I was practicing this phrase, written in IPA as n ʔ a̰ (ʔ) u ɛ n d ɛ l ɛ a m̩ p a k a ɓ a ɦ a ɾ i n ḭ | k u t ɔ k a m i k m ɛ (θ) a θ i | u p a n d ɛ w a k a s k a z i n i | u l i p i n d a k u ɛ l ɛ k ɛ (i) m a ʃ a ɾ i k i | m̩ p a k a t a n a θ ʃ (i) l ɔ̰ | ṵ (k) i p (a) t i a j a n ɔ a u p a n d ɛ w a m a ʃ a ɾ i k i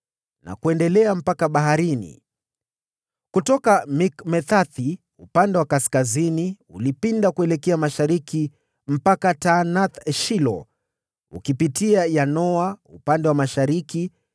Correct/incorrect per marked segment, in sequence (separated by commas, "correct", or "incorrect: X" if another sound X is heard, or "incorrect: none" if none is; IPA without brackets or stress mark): incorrect: k, correct, incorrect: a, correct, correct, incorrect: i